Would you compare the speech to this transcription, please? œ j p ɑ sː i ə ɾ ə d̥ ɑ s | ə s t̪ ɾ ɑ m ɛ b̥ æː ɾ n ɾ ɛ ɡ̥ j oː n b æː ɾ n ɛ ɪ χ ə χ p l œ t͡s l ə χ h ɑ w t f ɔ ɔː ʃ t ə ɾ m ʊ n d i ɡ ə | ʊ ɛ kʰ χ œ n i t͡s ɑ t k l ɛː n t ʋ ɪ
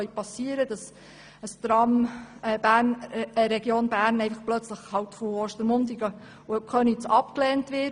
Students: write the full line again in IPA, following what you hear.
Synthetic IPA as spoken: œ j p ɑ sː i ə ɾ ə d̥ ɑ s | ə s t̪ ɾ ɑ m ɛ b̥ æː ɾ n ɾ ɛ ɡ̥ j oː n b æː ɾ n ɛ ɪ f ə χ p l œ t͡s l ə χ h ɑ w t f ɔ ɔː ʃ t ə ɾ m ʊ n d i ɡ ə | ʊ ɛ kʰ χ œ n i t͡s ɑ p k l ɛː n t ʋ ɪ